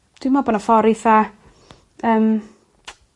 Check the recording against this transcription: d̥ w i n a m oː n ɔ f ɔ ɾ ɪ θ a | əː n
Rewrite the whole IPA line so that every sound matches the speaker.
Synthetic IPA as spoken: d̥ w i m a b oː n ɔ f ɔ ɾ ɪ θ a | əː m